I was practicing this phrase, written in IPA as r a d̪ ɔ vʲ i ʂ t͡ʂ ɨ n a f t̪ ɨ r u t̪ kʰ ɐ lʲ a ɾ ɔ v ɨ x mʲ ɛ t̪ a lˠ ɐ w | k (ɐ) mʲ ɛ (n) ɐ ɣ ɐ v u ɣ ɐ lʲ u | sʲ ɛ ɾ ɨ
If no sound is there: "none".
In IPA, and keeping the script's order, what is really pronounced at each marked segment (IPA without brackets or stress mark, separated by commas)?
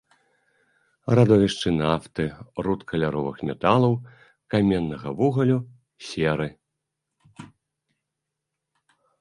a, nː